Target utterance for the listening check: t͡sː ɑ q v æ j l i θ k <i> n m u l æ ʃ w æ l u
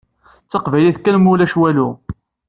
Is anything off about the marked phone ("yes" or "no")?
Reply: yes